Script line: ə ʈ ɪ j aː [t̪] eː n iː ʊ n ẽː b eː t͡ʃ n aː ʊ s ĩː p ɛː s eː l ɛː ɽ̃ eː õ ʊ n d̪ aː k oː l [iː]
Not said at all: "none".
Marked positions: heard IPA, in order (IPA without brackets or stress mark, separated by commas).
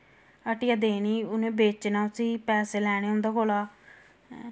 d̪, aː